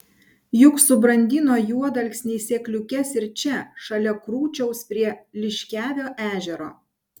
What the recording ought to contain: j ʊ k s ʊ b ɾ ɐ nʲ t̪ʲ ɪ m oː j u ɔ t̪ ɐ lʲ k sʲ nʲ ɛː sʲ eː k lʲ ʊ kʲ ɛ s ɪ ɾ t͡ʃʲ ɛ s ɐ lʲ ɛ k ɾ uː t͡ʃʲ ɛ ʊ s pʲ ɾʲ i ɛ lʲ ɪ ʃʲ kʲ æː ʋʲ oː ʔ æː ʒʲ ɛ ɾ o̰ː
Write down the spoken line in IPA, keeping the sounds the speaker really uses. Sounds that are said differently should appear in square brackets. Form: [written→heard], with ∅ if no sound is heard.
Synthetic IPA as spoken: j ʊ k s ʊ b ɾ ɐ nʲ [t̪ʲ→d̪ʲ] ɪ [m→n] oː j u ɔ [t̪→d̪] ɐ lʲ k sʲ nʲ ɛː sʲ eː k lʲ ʊ kʲ ɛ s ɪ ɾ t͡ʃʲ ɛ [s→ʃ] ɐ lʲ ɛ k ɾ uː t͡ʃʲ ɛ ʊ s pʲ ɾʲ i ɛ lʲ ɪ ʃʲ kʲ æː ʋʲ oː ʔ æː ʒʲ ɛ ɾ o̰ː

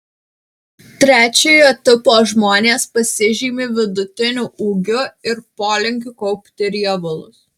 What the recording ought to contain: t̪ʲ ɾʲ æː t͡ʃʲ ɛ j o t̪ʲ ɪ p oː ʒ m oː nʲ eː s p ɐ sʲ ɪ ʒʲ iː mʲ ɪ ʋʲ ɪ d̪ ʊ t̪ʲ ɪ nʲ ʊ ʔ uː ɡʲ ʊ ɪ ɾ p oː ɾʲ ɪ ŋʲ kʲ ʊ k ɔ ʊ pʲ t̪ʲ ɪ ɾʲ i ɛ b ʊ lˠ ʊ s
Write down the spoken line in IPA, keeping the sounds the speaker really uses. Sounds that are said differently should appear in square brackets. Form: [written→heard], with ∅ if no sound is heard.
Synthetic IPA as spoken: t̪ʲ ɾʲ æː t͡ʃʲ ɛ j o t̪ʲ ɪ p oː ʒ m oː nʲ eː s p ɐ sʲ ɪ ʒʲ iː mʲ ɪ ʋʲ ɪ d̪ ʊ t̪ʲ ɪ nʲ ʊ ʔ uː ɡʲ ʊ ɪ ɾ p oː [ɾʲ→lʲ] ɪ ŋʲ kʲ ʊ k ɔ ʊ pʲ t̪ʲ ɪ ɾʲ i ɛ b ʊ lˠ ʊ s

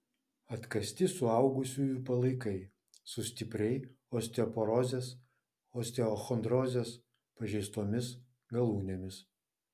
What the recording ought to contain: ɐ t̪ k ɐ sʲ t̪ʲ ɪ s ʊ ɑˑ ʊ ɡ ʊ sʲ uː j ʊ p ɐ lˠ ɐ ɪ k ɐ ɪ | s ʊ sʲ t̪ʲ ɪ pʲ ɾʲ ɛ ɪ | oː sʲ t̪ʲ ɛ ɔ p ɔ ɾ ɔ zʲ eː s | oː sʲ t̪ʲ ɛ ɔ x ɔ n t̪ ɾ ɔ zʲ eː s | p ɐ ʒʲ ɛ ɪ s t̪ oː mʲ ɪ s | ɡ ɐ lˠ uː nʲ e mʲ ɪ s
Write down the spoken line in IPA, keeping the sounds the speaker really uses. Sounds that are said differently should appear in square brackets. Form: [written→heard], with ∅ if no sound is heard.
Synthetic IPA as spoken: ɐ t̪ k ɐ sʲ t̪ʲ ɪ s ʊ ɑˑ ʊ ɡ ʊ sʲ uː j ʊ p ɐ lˠ ɐ ɪ k ɐ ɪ | s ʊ sʲ t̪ʲ ɪ pʲ ɾʲ ɛ ɪ | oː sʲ t̪ʲ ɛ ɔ p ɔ ɾ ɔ zʲ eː s | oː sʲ t̪ʲ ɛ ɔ x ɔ n [t̪→d̪] ɾ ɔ zʲ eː s | p ɐ ʒʲ ɛ ɪ s t̪ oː mʲ ɪ s | ɡ ɐ lˠ uː nʲ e mʲ ɪ s

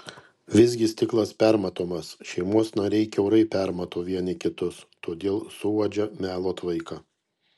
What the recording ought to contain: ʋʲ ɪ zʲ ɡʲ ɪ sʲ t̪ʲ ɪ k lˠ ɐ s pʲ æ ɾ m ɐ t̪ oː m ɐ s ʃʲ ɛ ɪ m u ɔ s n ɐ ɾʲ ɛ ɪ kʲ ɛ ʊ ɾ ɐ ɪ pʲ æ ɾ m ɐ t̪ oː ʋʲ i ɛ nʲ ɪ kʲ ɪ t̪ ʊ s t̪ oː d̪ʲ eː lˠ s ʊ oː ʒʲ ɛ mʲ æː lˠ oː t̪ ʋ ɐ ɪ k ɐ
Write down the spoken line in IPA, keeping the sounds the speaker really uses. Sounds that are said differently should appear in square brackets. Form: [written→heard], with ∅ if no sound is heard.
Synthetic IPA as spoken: ʋʲ ɪ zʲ ɡʲ ɪ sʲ t̪ʲ ɪ k lˠ ɐ s pʲ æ ɾ m ɐ t̪ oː m ɐ s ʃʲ ɛ ɪ m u ɔ s n ɐ ɾʲ ɛ ɪ kʲ ɛ ʊ ɾ ɐ ɪ pʲ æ ɾ m ɐ t̪ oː ʋʲ i ɛ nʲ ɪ kʲ ɪ t̪ ʊ s t̪ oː d̪ʲ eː lˠ s ʊ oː [ʒʲ→d͡ʒʲ] ɛ mʲ æː lˠ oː t̪ ʋ ɐ ɪ k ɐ

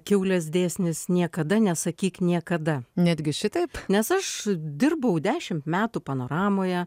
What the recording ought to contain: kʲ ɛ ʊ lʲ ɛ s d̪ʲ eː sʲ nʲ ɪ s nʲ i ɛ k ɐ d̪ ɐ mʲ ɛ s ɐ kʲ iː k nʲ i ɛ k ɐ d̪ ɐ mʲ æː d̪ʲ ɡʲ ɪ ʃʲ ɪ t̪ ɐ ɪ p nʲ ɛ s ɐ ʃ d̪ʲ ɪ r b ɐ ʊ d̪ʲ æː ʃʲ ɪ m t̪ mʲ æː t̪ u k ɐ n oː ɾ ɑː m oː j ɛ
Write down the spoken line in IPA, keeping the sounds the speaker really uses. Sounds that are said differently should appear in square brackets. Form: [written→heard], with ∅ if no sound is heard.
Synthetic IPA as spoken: kʲ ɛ ʊ lʲ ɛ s d̪ʲ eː sʲ nʲ ɪ s nʲ i ɛ k ɐ d̪ ɐ [mʲ→nʲ] ɛ s ɐ kʲ iː k nʲ i ɛ k ɐ d̪ ɐ [mʲ→nʲ] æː d̪ʲ ɡʲ ɪ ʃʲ ɪ t̪ ɐ ɪ p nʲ ɛ s ɐ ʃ d̪ʲ ɪ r b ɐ ʊ d̪ʲ æː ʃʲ ɪ m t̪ mʲ æː t̪ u [k→p] ɐ n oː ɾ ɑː m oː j ɛ

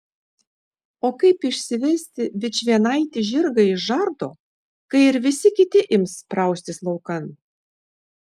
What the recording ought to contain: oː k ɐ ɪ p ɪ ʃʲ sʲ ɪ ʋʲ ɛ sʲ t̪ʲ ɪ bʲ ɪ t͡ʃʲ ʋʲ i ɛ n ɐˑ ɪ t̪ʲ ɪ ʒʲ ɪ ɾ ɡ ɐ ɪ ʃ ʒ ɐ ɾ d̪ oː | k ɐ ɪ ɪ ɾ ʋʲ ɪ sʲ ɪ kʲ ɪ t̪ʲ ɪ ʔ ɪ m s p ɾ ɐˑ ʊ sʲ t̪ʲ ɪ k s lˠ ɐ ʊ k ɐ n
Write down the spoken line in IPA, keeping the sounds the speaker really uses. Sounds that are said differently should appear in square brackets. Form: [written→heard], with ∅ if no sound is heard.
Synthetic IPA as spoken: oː k ɐ ɪ p ɪ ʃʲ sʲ ɪ ʋʲ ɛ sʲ t̪ʲ ɪ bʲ ɪ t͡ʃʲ ʋʲ i ɛ n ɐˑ ɪ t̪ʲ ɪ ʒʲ ɪ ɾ ɡ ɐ ɪ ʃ ʒ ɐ ɾ d̪ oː | k ɐ ɪ ɪ ɾ ʋʲ ɪ sʲ ɪ kʲ ɪ t̪ʲ ɪ ʔ ɪ m s p ɾ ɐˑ ʊ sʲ t̪ʲ ɪ [k→∅] s lˠ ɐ ʊ k ɐ n

